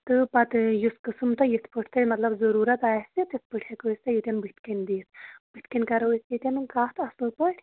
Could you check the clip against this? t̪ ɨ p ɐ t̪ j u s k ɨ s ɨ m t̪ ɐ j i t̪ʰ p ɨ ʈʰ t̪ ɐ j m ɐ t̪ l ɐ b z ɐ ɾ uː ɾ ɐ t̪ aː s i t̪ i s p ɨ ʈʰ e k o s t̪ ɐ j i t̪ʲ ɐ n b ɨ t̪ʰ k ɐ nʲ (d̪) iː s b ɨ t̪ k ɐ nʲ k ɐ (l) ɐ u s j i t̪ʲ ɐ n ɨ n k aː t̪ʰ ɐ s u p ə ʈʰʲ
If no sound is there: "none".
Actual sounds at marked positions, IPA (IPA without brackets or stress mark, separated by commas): d̪, ɾ